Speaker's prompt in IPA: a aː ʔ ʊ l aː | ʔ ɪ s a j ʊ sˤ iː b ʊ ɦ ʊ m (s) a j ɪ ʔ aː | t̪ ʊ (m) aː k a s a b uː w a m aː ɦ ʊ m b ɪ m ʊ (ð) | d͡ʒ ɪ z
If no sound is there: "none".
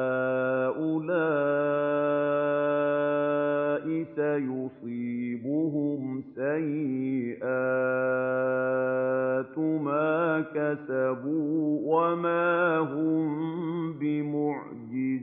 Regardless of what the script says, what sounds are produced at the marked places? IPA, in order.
s, m, ʕ

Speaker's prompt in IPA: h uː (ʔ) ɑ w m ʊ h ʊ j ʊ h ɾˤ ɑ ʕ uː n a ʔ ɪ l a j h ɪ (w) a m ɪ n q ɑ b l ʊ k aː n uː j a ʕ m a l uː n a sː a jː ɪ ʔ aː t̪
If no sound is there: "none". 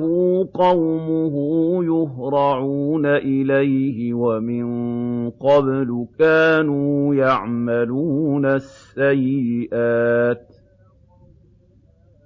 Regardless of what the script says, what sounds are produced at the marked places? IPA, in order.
q, w

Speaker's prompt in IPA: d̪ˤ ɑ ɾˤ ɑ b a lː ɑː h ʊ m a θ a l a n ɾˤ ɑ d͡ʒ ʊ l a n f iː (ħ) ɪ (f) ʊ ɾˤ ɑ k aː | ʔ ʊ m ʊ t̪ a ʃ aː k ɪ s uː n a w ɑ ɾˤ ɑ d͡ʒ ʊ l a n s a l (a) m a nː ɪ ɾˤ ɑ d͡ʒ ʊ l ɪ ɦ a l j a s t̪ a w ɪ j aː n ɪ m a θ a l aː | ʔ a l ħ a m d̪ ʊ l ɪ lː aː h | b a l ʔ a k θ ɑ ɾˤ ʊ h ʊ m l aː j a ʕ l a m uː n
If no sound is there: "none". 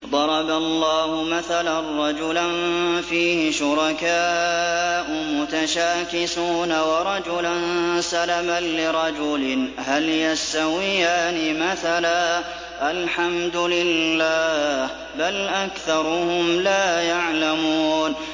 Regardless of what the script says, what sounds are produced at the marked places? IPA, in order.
h, ʃ, a

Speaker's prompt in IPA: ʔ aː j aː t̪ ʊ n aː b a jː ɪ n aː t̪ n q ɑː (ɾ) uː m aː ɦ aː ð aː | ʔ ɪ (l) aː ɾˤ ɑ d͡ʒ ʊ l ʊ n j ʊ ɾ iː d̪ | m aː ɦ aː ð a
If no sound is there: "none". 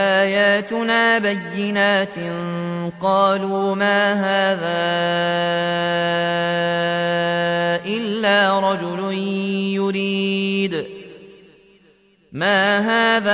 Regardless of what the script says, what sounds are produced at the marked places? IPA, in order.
l, lː

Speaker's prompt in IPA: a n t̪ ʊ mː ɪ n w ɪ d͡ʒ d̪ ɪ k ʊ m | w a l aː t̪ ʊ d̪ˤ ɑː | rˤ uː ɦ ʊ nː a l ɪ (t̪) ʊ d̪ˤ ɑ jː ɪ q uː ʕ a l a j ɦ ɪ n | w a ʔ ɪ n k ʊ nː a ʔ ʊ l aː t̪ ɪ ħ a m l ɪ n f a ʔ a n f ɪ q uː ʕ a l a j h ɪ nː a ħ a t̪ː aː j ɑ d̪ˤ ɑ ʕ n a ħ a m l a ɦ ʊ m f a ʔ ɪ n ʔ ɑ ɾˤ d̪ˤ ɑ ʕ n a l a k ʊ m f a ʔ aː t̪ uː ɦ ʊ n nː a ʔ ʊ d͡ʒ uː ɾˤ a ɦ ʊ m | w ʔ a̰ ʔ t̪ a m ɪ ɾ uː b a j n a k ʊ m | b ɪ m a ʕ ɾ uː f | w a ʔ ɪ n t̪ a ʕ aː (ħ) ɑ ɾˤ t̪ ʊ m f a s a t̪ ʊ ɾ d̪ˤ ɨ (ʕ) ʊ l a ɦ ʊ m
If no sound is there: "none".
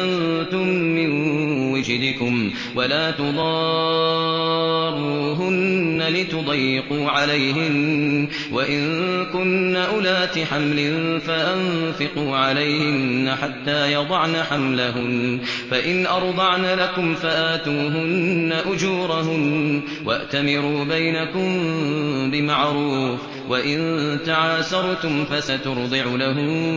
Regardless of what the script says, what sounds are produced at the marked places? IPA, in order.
t̪, s, ʕ

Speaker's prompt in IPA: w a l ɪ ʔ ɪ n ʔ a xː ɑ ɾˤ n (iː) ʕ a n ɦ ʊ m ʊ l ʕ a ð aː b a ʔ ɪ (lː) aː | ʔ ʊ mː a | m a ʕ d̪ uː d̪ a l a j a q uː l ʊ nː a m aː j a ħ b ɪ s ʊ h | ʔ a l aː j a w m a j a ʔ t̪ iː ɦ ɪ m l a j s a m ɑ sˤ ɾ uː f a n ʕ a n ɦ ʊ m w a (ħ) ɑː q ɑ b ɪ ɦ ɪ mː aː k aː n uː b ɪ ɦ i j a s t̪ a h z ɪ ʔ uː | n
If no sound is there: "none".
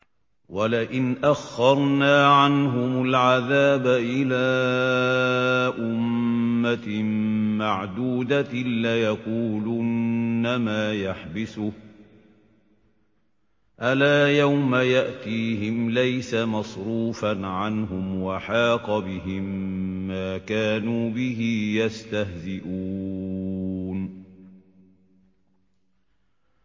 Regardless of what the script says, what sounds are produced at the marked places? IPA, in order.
aː, l, ħ

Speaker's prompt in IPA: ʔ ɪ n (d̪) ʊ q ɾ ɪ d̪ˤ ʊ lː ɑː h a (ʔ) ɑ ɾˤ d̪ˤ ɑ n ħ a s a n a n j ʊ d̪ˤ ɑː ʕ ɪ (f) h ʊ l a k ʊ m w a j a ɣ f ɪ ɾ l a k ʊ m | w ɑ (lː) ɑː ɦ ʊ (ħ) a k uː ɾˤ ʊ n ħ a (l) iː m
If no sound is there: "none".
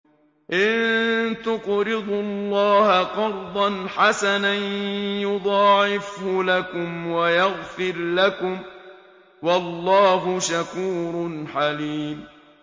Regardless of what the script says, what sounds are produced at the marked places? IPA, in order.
t̪, q, f, lː, ʃ, l

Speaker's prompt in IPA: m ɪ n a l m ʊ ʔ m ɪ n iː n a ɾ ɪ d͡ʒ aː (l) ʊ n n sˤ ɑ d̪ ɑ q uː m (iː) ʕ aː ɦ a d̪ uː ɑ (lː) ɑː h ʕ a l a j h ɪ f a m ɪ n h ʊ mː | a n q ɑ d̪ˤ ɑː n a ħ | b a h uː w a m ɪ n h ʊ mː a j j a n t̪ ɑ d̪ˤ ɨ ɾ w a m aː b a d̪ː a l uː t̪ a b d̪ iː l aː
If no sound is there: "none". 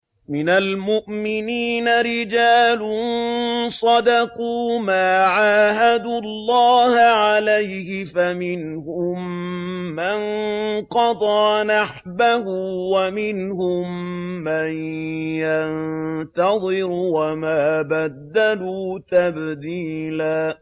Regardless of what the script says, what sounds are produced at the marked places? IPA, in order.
l, aː, lː

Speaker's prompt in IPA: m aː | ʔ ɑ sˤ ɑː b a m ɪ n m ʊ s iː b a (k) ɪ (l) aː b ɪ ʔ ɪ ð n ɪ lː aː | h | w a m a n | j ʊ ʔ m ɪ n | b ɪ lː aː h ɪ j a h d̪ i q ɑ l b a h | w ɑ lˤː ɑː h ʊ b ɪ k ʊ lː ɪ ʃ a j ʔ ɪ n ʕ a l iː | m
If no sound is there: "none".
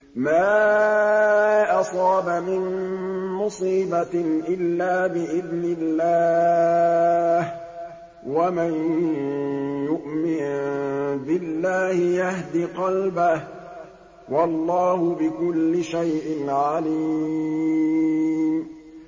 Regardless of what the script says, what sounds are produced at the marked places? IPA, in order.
ʔ, lː

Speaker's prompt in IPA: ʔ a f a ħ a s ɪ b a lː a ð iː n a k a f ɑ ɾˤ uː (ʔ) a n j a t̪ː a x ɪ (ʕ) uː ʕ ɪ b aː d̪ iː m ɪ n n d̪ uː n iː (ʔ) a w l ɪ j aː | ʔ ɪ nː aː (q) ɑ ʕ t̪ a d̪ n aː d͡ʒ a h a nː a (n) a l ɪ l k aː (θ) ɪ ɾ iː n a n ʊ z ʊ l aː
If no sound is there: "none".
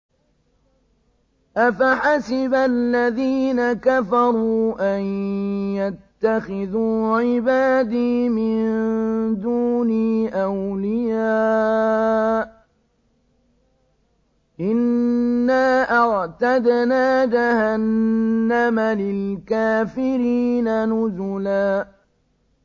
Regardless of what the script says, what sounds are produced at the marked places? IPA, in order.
ʔ, ð, ʔ, ʔ, m, f

